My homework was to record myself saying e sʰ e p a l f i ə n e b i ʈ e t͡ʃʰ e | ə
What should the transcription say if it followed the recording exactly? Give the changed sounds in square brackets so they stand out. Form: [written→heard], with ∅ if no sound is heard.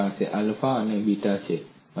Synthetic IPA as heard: [e→a] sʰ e [p→ʔ] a l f [i→a] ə n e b i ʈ [e→a] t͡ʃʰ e | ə